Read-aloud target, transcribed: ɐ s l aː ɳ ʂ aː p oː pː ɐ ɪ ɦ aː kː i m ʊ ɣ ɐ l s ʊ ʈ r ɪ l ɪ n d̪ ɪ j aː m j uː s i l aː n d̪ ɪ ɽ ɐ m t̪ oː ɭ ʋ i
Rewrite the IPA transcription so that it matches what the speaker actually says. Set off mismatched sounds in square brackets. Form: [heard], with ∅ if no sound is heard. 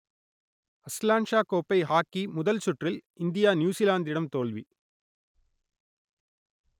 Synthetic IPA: ɐ s l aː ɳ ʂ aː [k] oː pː ɐ ɪ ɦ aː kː i m ʊ [ð] ɐ l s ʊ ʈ r ɪ l ɪ n d̪ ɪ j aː [n] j uː s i l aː n d̪ ɪ ɽ ɐ m t̪ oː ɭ ʋ i